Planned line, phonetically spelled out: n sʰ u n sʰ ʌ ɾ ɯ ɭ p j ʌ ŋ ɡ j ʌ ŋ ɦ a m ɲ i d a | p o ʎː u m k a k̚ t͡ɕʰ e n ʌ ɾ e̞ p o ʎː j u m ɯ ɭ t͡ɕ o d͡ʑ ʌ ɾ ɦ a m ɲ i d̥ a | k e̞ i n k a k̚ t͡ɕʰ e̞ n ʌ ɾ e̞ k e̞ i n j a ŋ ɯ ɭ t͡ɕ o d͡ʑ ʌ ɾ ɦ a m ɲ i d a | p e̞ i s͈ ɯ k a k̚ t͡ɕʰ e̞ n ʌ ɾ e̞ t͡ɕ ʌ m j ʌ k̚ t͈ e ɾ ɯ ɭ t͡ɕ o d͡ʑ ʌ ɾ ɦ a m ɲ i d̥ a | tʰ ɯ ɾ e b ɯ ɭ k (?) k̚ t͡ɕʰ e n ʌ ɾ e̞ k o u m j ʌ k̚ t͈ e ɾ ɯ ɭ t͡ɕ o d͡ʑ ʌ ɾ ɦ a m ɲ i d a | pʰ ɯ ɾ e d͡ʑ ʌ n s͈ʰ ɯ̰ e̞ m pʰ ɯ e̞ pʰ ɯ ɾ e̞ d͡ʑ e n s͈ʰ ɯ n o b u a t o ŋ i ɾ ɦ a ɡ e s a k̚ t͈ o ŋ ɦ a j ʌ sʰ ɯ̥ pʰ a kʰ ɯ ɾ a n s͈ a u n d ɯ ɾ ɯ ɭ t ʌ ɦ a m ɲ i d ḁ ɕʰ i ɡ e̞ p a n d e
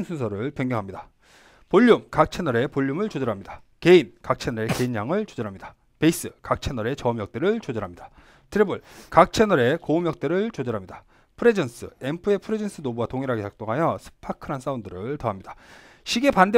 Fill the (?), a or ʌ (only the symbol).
a